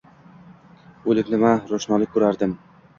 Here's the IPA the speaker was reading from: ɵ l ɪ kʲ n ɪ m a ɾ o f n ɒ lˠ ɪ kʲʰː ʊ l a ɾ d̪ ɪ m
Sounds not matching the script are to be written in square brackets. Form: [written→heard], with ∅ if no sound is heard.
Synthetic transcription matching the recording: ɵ l ɪ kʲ n ɪ m a ɾ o [f→ʃ] n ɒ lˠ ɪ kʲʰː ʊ [l→ɾ] a ɾ d̪ ɪ m